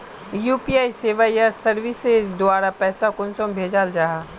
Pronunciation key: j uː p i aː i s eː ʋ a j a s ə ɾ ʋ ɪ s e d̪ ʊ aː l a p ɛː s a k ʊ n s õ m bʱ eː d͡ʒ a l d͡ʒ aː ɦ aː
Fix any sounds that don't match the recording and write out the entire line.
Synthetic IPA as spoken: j uː p i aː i s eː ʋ a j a s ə ɾ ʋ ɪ s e d̪ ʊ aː ɾ a p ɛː s a k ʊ n s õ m bʱ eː d͡ʒ a l d͡ʒ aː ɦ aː